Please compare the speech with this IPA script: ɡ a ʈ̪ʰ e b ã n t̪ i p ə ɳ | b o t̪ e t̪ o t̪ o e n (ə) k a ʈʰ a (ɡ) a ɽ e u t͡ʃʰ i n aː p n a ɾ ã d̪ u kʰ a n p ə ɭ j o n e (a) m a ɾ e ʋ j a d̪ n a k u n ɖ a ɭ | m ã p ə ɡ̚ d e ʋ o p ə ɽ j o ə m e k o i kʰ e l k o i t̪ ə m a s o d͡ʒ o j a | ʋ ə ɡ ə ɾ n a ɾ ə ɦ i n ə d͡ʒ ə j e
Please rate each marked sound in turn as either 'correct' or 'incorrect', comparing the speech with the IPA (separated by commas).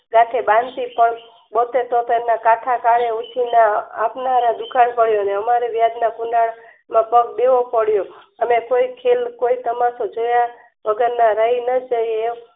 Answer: incorrect, incorrect, incorrect